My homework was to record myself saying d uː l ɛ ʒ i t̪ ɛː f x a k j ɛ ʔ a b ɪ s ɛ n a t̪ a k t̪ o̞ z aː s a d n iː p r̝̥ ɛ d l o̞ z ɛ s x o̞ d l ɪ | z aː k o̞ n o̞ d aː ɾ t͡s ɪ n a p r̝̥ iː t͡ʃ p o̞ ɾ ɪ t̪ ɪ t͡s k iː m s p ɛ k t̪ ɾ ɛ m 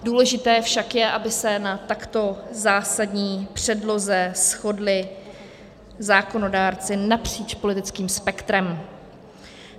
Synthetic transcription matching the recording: d uː l ɛ ʒ ɪ t̪ ɛː f ʃ a k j ɛ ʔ a b ɪ s ɛ n a t̪ a k t̪ o̞ z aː s a d ɲ iː p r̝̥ ɛ d l o̞ z ɛ s x o̞ d l ɪ | z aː k o̞ n o̞ d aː ɾ t͡s ɪ n a p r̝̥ iː t͡ʃ p o̞ l ɪ t̪ ɪ t͡s k iː m s p ɛ k t̪ ɾ ɛ m